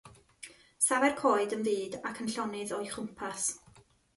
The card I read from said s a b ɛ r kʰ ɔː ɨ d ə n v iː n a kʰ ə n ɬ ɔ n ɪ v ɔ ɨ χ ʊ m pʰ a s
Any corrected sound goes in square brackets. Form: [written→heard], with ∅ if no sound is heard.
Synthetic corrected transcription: s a [b→v] ɛ r kʰ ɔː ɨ d ə n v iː [n→d] a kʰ ə n ɬ ɔ n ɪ [v→ð] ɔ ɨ χ ʊ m pʰ a s